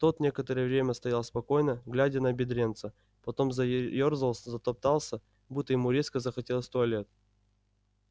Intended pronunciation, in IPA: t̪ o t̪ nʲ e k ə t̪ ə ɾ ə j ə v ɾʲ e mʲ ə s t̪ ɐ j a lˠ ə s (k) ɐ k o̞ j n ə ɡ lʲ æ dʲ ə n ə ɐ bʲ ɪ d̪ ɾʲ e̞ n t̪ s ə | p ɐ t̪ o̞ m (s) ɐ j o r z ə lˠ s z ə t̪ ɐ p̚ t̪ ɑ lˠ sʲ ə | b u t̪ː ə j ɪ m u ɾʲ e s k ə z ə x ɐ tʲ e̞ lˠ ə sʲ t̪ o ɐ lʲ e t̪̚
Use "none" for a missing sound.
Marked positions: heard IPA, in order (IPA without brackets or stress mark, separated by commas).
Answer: p, z